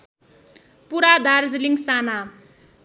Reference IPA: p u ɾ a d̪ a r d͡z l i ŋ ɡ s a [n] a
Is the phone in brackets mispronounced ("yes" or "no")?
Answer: no